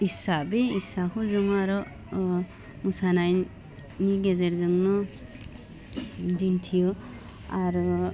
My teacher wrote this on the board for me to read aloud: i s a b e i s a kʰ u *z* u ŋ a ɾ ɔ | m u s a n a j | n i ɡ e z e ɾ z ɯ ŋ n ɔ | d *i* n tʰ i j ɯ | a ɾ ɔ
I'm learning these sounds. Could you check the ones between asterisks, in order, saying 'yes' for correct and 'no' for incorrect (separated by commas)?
yes, yes